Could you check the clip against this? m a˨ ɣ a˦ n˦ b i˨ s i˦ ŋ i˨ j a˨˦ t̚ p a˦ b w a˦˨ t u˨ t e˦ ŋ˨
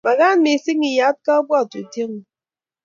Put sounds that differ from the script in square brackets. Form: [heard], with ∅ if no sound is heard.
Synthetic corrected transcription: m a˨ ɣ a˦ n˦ [m] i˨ s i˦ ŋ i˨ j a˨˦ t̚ [k] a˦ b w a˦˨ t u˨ t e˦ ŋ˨